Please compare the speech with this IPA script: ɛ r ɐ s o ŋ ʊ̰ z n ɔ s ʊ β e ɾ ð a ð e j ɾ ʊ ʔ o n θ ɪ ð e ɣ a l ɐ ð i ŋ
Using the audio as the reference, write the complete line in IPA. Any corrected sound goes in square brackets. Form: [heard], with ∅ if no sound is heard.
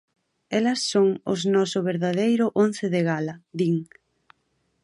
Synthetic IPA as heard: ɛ [l] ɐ [sː] o ŋ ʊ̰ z n ɔ s ʊ β e ɾ ð a ð e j ɾ ʊ ʔ o n θ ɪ ð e ɣ a l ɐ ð i ŋ